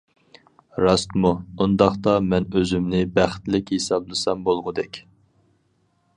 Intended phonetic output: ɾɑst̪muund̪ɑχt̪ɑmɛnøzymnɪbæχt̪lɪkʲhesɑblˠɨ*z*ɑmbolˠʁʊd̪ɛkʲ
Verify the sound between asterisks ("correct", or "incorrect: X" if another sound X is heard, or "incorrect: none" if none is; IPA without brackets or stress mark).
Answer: incorrect: s